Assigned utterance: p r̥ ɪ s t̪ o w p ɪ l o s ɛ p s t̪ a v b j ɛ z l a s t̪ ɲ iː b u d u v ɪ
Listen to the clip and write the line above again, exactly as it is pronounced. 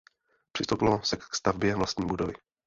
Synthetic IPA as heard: p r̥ ɪ s t̪ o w p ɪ l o s ɛ k s t̪ a v b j ɛ v l a s t̪ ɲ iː b u d o v ɪ